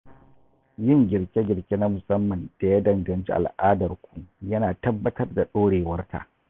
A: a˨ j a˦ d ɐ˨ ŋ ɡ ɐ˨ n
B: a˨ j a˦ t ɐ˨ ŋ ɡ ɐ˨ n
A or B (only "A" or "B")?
A